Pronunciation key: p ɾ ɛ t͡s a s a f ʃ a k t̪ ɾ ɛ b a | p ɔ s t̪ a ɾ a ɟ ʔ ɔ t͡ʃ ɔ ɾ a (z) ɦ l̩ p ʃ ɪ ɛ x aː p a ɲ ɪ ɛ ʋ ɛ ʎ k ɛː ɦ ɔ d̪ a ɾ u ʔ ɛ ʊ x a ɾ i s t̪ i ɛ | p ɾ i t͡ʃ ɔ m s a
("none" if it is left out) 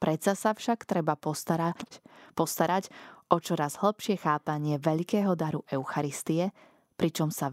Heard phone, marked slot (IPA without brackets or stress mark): z